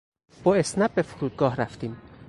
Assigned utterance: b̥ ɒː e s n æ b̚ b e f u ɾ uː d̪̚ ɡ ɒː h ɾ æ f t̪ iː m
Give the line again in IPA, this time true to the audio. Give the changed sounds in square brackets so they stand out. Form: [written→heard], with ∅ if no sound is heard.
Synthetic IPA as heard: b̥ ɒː e s n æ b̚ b e f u ɾ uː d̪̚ ɡ ɒː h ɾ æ f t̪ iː m

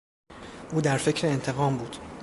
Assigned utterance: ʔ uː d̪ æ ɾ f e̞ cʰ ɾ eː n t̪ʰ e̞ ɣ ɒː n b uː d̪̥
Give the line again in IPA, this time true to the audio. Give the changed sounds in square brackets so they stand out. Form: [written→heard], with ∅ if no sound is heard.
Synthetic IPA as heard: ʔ uː d̪ æ ɾ f e̞ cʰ ɾ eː n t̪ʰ e̞ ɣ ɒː [n→m] b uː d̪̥

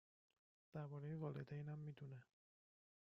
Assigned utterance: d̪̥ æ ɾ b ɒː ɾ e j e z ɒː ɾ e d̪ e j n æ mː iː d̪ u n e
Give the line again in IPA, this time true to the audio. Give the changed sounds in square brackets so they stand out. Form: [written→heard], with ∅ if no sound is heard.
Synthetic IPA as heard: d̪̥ æ ɾ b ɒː ɾ e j e [z→v] ɒː [ɾ→l] e d̪ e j n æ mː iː d̪ u n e

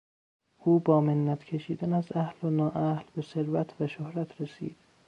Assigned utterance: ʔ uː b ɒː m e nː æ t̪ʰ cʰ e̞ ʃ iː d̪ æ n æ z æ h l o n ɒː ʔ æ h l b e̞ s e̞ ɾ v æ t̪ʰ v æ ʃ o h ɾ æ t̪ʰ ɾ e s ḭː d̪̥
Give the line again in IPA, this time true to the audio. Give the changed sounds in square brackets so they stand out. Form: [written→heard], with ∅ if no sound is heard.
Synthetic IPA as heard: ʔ uː b ɒː m e nː æ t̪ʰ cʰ e̞ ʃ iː d̪ æ n æ z æ h l o n ɒː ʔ æ h l b e̞ s e̞ ɾ v æ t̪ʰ v æ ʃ o h ɾ æ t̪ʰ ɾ e s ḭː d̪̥

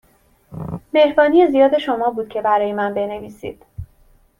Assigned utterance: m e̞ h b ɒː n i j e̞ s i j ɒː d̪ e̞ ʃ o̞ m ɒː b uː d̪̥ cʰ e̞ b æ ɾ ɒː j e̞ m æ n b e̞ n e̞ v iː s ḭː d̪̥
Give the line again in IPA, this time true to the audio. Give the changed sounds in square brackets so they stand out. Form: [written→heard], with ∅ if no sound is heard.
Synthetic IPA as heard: m e̞ h b ɒː n i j e̞ [s→z] i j ɒː d̪ e̞ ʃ o̞ m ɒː b uː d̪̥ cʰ e̞ b æ ɾ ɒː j e̞ m æ n b e̞ n e̞ v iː s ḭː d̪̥

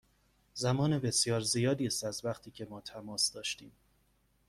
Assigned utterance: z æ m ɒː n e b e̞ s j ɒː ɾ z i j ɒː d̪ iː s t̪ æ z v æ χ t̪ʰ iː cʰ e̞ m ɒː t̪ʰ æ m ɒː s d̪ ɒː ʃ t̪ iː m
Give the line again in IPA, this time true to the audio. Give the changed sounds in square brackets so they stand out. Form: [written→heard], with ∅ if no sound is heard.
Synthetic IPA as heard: z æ m ɒː n e b e̞ s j ɒː ɾ z i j ɒː d̪ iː s t̪ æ z v æ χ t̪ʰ iː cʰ e̞ m ɒː t̪ʰ æ m ɒː s d̪ ɒː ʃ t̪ iː m

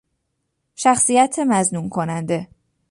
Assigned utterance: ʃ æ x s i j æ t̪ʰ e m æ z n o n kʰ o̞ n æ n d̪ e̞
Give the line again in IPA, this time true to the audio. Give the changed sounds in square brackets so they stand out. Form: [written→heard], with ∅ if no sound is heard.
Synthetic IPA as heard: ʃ æ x s i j æ t̪ʰ e m æ z n [o→u] n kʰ o̞ n æ n d̪ e̞

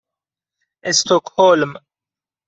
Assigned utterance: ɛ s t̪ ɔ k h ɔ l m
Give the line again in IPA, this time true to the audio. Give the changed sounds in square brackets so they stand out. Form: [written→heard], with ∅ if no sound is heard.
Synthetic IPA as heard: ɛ s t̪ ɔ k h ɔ l m

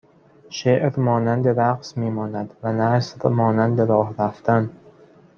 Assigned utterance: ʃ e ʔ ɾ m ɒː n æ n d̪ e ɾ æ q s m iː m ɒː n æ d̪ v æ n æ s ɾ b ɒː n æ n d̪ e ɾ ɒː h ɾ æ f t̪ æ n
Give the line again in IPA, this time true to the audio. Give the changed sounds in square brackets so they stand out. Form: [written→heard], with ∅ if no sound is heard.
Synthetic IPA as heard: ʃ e ʔ ɾ m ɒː n æ n d̪ e ɾ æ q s m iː m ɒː n æ d̪ v æ n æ s ɾ [b→m] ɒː n æ n d̪ e ɾ ɒː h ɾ æ f t̪ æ n

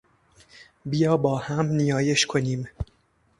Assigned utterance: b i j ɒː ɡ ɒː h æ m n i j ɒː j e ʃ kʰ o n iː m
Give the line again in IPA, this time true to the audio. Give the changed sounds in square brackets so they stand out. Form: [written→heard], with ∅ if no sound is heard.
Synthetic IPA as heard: b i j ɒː [ɡ→b] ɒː h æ m n i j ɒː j e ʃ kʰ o n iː m

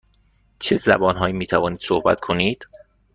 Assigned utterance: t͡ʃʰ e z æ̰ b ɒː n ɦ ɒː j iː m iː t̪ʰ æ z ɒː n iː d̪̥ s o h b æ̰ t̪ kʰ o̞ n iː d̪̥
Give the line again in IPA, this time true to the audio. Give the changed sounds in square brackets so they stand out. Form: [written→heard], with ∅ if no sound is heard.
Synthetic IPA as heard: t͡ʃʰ e z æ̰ b ɒː n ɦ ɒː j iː m iː t̪ʰ æ [z→v] ɒː n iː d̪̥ s o h b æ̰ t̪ kʰ o̞ n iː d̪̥

